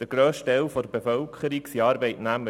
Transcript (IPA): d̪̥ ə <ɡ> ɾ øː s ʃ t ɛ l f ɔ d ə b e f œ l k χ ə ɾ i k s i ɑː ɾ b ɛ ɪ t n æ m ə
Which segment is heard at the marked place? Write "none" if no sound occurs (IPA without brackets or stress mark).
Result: ɡ